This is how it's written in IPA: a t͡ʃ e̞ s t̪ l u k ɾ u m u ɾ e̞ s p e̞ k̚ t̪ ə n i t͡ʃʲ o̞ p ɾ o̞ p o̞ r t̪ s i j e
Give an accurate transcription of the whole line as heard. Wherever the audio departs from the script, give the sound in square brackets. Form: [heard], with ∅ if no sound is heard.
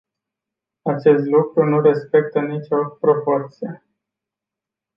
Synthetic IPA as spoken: a t͡ʃ e̞ s t̪ l u k ɾ u [n] u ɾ e̞ s p e̞ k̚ t̪ ə n i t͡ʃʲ o̞ p ɾ o̞ p o̞ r t̪ s i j e